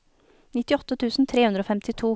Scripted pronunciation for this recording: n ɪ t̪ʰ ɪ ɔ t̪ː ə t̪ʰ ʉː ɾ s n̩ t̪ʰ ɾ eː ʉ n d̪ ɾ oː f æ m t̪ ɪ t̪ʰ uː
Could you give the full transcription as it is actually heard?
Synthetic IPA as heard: n ɪ t̪ ɪ ɔ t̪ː ə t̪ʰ ʉː s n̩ t̪ʰ ɾ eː ʉ n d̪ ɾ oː f ɛ m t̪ ɪ t̪ʰ uː